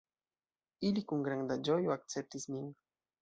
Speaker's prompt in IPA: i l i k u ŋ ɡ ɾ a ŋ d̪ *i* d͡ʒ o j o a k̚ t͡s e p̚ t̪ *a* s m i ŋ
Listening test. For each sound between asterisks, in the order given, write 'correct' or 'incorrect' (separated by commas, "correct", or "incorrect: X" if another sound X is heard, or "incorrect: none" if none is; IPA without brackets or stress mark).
incorrect: a, incorrect: i